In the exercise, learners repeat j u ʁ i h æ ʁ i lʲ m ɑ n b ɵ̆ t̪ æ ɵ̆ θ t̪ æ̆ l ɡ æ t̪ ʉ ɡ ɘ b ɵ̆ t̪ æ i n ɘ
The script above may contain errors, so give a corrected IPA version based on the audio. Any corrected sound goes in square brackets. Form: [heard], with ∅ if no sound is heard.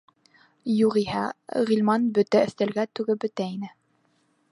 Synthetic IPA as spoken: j u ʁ i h æ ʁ i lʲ m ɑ n b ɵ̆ t̪ æ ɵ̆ θ t̪ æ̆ l ɡ æ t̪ ʉ ɡ ɘ b ɵ̆ t̪ æ i n ɘ